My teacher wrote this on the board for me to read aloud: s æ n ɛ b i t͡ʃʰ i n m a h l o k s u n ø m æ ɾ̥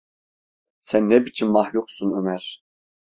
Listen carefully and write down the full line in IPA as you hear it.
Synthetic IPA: s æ nː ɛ b i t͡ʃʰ i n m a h l u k s u n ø m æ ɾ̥